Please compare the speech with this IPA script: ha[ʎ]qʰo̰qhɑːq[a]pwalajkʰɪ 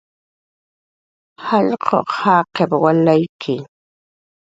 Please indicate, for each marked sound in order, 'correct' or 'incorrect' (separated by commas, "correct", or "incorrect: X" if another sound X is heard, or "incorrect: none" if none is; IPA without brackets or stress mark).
correct, incorrect: e